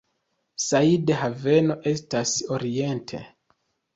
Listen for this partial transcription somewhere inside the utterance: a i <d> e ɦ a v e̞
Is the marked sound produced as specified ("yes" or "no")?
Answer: yes